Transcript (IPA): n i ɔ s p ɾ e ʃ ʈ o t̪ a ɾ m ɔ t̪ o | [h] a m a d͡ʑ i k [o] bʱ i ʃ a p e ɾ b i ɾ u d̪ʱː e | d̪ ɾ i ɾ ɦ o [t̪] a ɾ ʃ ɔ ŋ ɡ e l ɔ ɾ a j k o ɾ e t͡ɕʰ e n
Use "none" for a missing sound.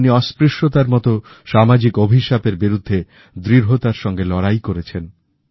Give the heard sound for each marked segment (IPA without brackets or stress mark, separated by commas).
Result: ʃ, o, t̪